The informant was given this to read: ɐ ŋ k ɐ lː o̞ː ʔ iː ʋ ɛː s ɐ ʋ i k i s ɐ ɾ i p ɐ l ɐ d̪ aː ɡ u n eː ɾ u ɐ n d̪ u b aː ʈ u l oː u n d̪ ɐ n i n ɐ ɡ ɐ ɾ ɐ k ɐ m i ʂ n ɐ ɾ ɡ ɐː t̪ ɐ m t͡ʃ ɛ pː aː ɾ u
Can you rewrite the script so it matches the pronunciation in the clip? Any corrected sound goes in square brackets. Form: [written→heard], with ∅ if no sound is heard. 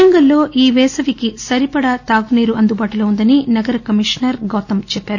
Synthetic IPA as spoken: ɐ ŋ [k→ɡ] ɐ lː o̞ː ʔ iː ʋ ɛː s ɐ ʋ i k i s ɐ ɾ i p ɐ [l→ɽ] ɐ [d̪→t̪] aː ɡ u n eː ɾ u ɐ n d̪ u b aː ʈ u l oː u n d̪ ɐ n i n ɐ ɡ ɐ ɾ ɐ k ɐ m i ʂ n ɐ ɾ ɡ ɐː t̪ ɐ m t͡ʃ ɛ pː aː ɾ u